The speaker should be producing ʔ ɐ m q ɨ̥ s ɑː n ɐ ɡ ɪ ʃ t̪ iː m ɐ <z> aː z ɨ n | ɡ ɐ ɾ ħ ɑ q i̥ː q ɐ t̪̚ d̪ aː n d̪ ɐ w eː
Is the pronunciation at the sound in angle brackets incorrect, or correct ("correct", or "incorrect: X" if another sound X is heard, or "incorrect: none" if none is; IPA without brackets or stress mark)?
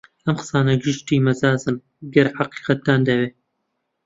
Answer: correct